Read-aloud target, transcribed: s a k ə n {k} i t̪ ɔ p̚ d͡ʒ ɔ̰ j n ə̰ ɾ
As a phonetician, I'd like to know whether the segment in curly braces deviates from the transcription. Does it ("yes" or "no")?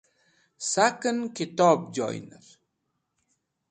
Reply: no